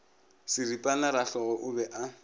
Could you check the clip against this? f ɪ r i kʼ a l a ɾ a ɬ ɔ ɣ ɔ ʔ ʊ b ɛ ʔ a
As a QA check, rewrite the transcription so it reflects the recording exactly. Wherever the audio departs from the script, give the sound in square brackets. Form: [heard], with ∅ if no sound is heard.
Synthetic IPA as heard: [s] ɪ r i [pʼ] a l a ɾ a ɬ ɔ ɣ ɔ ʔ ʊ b ɛ ʔ a